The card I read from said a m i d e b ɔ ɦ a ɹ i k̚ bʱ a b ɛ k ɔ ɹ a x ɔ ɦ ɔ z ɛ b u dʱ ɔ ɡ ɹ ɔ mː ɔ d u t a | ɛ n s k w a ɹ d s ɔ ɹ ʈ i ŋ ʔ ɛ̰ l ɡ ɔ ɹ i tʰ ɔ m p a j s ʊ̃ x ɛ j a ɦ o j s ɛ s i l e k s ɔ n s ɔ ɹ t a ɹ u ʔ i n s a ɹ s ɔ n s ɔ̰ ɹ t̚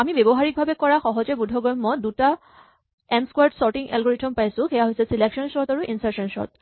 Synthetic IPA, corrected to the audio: a m i b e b ɔ ɦ a ɹ i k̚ bʱ a b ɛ k ɔ ɹ a x ɔ ɦ ɔ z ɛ b u dʱ ɔ ɡ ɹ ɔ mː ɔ d u t a | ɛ n s k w a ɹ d s ɔ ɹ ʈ i ŋ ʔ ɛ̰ l ɡ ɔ ɹ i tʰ ɔ m p a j s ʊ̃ x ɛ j a ɦ o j s ɛ s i l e k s ɔ n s ɔ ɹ t a ɹ u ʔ i n s a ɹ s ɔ n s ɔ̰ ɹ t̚

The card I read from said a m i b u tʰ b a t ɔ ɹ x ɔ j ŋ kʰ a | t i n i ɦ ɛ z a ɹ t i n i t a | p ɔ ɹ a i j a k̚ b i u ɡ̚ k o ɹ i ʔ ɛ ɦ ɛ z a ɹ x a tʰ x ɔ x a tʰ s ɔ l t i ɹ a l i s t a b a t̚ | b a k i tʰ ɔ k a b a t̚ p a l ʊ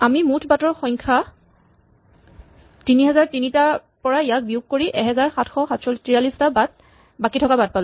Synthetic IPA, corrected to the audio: a m i m u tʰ b a t ɔ ɹ x ɔ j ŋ kʰ a | t i n i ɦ ɛ z a ɹ t i n i t a | p ɔ ɹ a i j a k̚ b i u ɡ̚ k o ɹ i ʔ ɛ ɦ ɛ z a ɹ x a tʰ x ɔ x a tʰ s ɔ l t i ɹ a l i s t a b a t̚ | b a k i tʰ ɔ k a b a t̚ p a l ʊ

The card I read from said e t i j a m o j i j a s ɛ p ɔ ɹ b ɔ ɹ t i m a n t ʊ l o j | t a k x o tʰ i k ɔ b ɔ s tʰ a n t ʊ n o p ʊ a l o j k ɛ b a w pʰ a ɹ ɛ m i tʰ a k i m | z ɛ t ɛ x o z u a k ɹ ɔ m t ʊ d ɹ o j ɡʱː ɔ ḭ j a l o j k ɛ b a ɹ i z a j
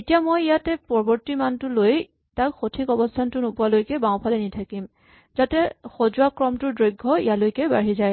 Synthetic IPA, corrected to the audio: e t i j a m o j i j a t ɛ p ɔ ɹ b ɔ ɹ t i m a n t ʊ l o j | t a k x o tʰ i k ɔ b ɔ s tʰ a n t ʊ n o p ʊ a l o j k ɛ b a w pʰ a l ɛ n i tʰ a k i m | z a t ɛ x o z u a k ɹ ɔ m t ʊ d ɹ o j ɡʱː ɔ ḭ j a l o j k ɛ b a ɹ i z a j

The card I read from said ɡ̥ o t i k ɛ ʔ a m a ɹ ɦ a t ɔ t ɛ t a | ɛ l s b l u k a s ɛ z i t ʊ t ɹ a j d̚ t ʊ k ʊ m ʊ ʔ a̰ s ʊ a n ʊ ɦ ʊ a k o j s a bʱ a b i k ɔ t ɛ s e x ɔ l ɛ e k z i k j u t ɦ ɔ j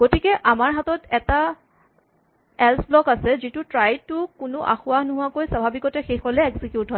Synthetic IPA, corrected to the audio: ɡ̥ o t i k ɛ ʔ a m a ɹ ɦ a t ɔ t ɛ t a | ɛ l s b l ɔ k a s ɛ z i t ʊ t ɹ a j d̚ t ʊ k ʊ n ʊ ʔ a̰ x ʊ a n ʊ ɦ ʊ a k o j s a bʱ a b i k ɔ t ɛ x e x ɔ l ɛ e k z i k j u t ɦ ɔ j

